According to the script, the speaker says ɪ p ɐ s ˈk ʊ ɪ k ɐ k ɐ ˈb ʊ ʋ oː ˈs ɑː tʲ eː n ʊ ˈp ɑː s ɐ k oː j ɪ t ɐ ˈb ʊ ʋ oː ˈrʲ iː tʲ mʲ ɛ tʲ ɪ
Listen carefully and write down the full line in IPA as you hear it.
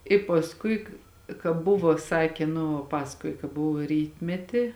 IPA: ɪ p ɐ s ˈk ʊ ɪ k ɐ k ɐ ˈb ʊ ʋ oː ˈs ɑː kʲ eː n ʊ ˈp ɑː s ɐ k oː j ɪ k ɐ ˈb ʊ ʋ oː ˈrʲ iː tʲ mʲ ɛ tʲ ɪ